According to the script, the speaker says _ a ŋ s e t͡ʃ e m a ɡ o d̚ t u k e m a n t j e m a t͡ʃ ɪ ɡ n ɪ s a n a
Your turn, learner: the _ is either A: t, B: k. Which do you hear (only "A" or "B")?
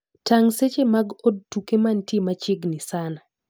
A